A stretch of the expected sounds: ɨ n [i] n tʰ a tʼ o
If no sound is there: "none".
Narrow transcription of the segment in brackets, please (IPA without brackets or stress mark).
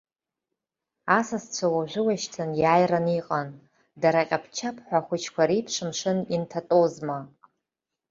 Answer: i